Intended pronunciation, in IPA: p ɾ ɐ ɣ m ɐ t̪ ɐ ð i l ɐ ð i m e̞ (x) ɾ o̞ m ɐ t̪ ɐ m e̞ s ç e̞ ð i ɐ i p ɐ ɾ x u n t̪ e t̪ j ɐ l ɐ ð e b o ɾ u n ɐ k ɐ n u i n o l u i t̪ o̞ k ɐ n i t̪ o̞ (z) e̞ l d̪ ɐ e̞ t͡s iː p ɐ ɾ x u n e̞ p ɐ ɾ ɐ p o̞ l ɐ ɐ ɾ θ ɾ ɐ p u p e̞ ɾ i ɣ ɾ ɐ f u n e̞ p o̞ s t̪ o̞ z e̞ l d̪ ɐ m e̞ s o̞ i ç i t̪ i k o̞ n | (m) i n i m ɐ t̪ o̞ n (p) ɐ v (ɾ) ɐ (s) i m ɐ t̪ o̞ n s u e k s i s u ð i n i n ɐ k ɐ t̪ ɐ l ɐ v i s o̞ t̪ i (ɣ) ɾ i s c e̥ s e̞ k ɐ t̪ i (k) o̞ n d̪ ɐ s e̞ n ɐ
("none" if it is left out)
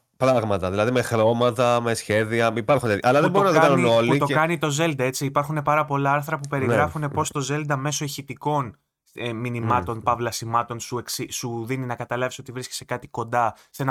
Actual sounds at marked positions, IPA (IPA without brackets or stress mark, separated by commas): x, z, m, p, l, s, v, k